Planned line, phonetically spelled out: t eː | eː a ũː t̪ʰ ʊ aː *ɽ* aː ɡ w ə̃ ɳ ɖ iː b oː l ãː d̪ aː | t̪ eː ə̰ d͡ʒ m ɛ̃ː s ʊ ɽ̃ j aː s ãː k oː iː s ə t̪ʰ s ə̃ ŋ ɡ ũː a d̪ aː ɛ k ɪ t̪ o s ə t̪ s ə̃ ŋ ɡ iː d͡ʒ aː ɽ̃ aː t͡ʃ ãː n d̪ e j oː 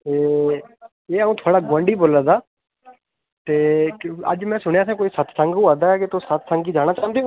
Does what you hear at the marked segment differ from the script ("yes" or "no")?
no